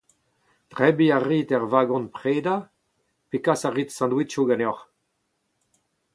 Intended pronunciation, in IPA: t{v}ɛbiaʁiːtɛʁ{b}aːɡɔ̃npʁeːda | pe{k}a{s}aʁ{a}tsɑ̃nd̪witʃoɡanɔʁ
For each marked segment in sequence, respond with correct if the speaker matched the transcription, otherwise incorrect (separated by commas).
incorrect, incorrect, correct, correct, incorrect